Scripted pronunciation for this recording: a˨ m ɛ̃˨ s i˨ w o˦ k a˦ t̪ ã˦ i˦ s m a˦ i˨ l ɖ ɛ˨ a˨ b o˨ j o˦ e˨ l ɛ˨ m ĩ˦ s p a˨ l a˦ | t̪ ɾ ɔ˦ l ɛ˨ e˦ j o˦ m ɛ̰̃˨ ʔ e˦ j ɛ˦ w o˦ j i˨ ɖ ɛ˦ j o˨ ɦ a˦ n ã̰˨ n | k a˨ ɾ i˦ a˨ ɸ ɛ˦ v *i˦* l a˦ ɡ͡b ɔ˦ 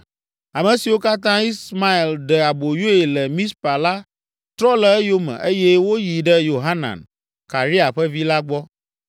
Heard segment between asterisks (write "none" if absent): i˦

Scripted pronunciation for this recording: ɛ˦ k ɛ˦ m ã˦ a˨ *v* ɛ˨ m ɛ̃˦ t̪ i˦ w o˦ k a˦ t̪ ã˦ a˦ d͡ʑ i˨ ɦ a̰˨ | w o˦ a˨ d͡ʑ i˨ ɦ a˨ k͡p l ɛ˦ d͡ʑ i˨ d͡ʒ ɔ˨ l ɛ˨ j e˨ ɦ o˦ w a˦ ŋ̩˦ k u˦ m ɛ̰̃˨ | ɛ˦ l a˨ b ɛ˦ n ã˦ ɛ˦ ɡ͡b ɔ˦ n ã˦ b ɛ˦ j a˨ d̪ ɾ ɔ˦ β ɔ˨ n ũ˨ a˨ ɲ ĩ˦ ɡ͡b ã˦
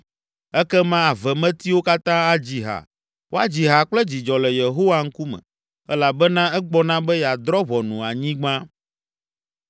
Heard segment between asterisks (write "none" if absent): v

